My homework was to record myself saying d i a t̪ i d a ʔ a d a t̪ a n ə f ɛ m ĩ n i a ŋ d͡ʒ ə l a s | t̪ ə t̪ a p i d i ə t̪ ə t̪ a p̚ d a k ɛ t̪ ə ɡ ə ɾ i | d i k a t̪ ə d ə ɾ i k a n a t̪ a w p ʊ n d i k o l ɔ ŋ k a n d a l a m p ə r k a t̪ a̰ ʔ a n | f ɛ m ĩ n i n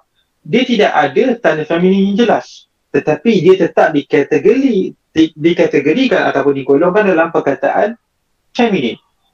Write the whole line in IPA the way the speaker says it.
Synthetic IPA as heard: d i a t̪ i d a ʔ a d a t̪ a n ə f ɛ m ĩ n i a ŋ d͡ʒ ə l a s | t̪ ə t̪ a p i d i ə t̪ ə t̪ a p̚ d i k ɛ t̪ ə ɡ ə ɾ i | d i k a t̪ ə ɡ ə ɾ i k a n a t̪ a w p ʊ n d i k o l ɔ ŋ k a n d a l a m p ə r k a t̪ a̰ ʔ a n | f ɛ m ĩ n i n